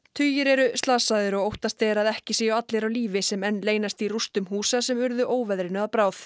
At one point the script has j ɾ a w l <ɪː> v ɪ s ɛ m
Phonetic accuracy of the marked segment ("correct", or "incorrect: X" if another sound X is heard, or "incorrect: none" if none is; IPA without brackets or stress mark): incorrect: iː